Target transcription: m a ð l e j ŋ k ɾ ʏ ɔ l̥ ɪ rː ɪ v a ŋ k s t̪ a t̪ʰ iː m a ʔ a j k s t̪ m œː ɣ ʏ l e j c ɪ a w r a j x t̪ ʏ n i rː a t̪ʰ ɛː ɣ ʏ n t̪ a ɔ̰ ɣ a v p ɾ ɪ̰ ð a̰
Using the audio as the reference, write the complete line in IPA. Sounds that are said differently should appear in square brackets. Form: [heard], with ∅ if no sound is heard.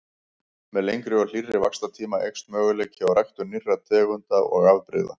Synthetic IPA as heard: m [ɛ] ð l e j ŋ k ɾ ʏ ɔ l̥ [i] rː ɪ v a [∅] k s t̪ a t̪ʰ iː m a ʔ [e] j k s t̪ m œː ɣ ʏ l e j c ɪ a w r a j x t̪ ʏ n i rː a t̪ʰ ɛː ɣ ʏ n t̪ a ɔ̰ ɣ a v p ɾ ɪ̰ ð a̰